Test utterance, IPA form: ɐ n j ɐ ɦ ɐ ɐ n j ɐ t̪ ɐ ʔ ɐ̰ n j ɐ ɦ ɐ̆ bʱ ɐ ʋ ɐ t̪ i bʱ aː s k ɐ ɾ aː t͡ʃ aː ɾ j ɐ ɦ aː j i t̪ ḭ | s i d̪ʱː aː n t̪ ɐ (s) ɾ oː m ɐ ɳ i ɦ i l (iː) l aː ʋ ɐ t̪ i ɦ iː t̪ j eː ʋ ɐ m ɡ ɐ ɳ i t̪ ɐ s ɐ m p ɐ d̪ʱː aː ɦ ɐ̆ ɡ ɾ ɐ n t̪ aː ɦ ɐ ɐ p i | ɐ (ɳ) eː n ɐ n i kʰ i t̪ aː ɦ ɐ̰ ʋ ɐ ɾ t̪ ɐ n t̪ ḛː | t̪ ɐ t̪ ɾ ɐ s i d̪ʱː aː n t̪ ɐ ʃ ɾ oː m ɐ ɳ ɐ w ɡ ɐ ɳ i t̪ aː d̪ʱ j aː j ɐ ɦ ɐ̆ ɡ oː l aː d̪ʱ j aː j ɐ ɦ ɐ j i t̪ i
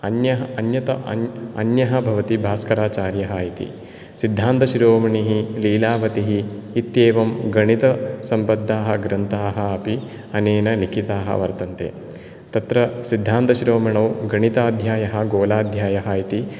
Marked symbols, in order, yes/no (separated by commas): no, yes, no